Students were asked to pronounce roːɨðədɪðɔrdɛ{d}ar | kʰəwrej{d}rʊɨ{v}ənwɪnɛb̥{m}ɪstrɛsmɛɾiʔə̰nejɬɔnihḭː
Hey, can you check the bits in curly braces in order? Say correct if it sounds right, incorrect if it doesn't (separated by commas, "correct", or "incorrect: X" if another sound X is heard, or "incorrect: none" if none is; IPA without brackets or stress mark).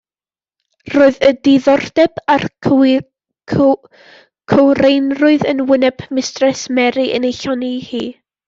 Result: incorrect: b, incorrect: n, incorrect: ð, correct